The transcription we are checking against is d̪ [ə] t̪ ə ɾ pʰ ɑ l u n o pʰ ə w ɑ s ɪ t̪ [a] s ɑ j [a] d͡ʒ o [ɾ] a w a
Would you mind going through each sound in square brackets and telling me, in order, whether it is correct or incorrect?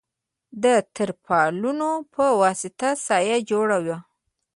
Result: correct, correct, correct, incorrect

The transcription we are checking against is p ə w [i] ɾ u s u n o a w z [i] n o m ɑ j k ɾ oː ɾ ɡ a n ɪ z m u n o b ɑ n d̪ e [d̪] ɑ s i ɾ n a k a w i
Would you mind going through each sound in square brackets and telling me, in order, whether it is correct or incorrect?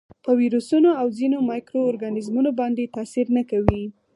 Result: correct, correct, incorrect

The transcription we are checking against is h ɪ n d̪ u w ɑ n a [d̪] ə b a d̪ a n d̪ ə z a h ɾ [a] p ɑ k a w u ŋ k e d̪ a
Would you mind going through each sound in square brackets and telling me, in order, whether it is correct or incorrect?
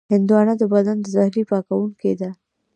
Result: correct, incorrect

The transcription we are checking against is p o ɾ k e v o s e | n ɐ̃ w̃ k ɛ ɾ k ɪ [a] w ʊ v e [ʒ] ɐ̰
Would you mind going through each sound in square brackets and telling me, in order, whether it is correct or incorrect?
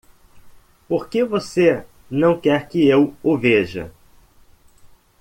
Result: incorrect, correct

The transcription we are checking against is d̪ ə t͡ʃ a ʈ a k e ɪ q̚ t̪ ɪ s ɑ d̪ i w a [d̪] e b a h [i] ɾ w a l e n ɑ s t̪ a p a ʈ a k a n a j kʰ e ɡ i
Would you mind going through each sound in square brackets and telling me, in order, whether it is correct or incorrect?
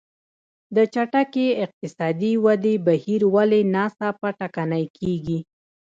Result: correct, correct

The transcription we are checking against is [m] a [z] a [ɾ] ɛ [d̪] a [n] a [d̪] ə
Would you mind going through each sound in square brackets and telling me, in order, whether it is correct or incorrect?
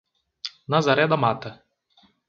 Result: incorrect, correct, correct, correct, incorrect, incorrect

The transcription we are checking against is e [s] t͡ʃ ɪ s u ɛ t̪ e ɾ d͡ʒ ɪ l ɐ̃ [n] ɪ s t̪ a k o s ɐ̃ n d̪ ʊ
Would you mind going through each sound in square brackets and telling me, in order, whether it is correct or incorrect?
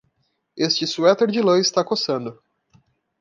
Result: correct, incorrect

